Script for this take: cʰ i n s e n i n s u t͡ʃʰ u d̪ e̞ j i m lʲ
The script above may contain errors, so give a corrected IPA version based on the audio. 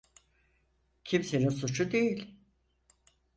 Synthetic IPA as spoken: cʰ i m s e n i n s u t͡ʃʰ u d̪ e̞ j i lʲ